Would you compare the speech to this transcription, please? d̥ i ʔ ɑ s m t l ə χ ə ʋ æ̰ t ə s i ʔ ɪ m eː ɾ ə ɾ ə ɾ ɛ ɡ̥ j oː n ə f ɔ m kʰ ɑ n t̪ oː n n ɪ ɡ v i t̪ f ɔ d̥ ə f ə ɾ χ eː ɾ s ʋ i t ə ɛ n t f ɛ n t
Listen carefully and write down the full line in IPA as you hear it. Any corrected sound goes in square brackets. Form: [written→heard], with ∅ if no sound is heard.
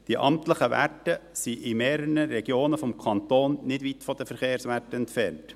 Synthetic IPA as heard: d̥ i ʔ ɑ [s→∅] m t l ə χ ə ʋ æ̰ t ə s i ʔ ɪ m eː ɾ ə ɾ ə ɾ ɛ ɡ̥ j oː n ə f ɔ m kʰ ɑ n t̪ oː n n ɪ [ɡ→d] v i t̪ f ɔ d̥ ə f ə ɾ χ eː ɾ s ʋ [i→æ] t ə ɛ n t f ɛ n t